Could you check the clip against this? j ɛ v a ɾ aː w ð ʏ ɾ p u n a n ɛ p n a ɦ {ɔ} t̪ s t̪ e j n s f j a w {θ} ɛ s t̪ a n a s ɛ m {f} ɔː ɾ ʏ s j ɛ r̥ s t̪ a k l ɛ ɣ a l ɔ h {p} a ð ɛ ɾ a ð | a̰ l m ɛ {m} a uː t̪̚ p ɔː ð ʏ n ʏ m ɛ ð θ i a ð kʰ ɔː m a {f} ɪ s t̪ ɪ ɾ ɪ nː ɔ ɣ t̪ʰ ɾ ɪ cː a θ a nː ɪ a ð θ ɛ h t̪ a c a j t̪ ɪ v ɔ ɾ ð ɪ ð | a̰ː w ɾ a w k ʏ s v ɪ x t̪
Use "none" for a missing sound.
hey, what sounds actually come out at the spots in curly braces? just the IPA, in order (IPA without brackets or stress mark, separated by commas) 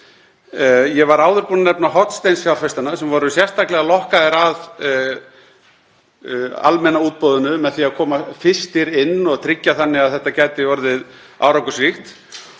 ɔ, f, v, k, n, f